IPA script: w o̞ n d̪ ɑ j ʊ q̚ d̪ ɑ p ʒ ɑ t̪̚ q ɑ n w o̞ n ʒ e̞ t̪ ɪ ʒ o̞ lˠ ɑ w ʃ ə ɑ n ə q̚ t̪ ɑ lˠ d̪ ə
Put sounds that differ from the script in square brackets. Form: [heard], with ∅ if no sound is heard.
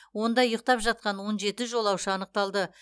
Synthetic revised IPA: w o̞ n d̪ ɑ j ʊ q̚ [t̪] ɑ p ʒ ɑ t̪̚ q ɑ n w o̞ n ʒ e̞ t̪ ɪ ʒ o̞ lˠ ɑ w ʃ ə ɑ n ə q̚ t̪ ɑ lˠ d̪ ə